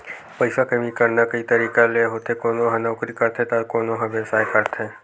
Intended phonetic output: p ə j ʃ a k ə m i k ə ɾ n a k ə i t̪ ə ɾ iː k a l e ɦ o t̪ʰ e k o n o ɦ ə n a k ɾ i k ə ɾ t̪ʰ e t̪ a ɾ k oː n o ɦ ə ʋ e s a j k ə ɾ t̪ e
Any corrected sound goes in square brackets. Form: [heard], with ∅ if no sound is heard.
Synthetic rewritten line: p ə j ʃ a k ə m i k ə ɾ n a k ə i t̪ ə ɾ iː k a l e ɦ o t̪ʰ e k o n o ɦ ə n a k ɾ i k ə ɾ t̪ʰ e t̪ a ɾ k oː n o ɦ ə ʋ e s a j k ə ɾ [t̪ʰ] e